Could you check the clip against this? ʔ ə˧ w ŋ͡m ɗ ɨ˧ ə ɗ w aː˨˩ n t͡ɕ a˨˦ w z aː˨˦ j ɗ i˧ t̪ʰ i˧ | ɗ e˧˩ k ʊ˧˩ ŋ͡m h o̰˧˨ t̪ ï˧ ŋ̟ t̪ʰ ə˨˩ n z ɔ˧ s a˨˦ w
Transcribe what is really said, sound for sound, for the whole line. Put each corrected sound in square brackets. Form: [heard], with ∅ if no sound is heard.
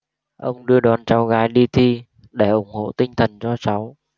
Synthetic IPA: ʔ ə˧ w ŋ͡m ɗ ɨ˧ ə ɗ w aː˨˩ n t͡ɕ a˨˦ w [ɣ] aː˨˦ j ɗ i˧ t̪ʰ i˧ | ɗ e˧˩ [ʔ] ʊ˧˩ ŋ͡m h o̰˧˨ t̪ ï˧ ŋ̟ t̪ʰ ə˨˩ n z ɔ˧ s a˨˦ w